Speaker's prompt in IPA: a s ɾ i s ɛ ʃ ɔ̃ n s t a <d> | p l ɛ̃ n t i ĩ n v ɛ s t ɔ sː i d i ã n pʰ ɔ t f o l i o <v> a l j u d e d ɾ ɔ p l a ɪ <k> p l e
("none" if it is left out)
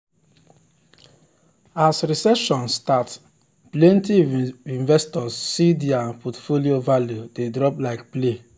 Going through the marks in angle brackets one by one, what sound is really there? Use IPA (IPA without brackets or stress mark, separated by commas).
t, v, k